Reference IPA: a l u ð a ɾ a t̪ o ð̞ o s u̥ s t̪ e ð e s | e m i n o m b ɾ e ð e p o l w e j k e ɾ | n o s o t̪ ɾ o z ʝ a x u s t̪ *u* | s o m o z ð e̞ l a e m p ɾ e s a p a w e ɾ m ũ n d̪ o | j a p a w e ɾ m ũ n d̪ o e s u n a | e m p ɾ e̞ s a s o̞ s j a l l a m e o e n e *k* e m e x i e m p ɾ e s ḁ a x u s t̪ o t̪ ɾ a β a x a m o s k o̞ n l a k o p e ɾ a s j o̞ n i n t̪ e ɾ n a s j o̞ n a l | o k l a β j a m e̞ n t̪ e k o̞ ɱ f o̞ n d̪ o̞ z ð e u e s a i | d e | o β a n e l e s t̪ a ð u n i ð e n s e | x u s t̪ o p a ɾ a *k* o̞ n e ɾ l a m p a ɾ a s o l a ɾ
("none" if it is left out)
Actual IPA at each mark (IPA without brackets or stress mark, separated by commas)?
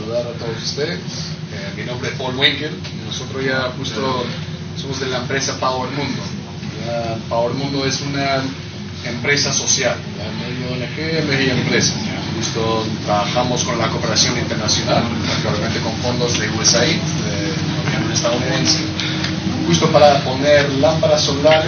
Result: o, x, p